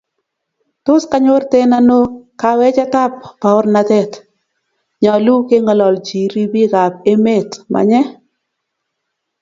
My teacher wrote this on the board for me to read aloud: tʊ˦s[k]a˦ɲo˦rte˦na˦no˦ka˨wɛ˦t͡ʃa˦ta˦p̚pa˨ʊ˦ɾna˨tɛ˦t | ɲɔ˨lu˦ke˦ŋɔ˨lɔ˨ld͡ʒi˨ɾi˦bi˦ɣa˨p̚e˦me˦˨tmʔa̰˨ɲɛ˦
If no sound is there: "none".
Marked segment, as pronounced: k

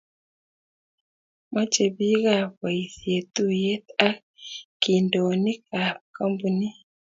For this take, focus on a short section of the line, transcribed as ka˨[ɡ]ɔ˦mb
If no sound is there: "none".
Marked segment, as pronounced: k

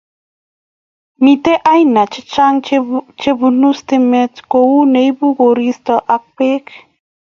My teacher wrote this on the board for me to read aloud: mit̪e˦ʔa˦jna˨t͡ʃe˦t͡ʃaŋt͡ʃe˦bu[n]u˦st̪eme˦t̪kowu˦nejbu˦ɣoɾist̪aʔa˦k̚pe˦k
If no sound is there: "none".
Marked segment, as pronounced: n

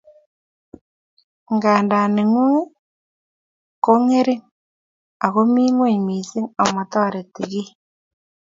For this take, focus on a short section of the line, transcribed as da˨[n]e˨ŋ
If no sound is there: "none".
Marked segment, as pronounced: n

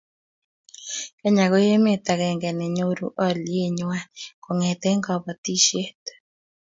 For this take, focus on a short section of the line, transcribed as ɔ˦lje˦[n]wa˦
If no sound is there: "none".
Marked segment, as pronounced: ɲ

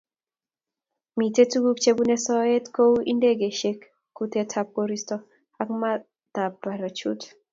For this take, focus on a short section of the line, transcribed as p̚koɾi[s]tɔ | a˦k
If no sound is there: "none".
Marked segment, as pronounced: s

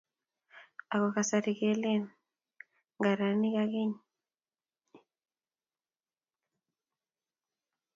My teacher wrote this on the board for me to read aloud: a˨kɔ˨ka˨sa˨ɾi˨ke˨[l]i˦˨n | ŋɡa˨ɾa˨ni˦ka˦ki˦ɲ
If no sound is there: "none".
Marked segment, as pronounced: l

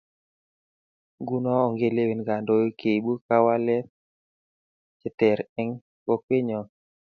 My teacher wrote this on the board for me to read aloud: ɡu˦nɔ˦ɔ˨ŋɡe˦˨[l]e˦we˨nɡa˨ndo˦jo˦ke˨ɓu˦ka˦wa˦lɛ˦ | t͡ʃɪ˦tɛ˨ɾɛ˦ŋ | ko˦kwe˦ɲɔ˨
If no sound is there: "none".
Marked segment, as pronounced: l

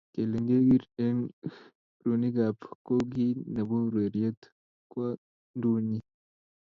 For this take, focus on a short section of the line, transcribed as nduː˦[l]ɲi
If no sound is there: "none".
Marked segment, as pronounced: none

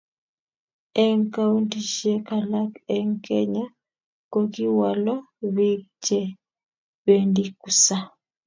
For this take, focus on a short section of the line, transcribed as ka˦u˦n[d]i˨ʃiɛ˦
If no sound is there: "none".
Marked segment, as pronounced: t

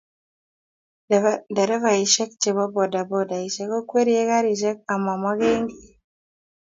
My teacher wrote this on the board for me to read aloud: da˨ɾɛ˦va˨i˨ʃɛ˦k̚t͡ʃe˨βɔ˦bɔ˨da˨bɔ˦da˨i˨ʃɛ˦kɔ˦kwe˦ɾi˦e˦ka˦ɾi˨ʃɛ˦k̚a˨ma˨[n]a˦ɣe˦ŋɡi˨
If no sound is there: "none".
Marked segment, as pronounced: m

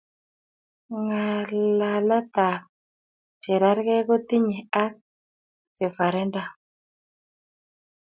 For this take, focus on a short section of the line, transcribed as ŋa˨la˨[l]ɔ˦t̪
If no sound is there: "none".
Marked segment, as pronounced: l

